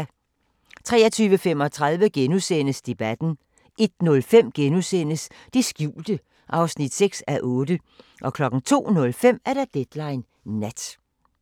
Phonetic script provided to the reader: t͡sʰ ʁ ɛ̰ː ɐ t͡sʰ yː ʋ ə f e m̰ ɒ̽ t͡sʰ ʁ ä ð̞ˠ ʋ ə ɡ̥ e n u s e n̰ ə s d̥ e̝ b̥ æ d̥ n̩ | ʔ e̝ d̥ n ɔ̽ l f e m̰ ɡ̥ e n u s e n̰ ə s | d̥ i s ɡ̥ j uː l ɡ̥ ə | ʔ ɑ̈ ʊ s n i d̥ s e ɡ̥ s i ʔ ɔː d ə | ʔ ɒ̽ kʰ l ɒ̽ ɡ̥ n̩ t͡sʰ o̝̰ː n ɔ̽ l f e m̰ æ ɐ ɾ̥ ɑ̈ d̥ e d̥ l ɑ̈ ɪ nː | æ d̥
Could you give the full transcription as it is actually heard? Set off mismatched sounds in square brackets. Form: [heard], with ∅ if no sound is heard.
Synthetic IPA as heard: t͡sʰ ʁ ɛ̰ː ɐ t͡sʰ yː ʋ ə f e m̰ ɒ̽ t͡sʰ ʁ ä ð̞ˠ ʋ ə ɡ̥ e n u s e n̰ ə s d̥ e̝ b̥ æ d̥ n̩ | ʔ e̝ d̥ n ɔ̽ l f e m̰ ɡ̥ e n u s e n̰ ə s | d̥ i s ɡ̥ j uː l [d̥] ə | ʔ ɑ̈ ʊ s n i d̥ s e ɡ̥ s [æ] ʔ ɔː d ə | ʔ ɒ̽ kʰ l ɒ̽ ɡ̥ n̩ t͡sʰ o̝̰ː n ɔ̽ l f e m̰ æ ɐ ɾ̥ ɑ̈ d̥ e d̥ l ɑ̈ ɪ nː | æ d̥